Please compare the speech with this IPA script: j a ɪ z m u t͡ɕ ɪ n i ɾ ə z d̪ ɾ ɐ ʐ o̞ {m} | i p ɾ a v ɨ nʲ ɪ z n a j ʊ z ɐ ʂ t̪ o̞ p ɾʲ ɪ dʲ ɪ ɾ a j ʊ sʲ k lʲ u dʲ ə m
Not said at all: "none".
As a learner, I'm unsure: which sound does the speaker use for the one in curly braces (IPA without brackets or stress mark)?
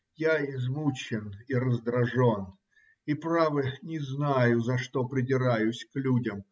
n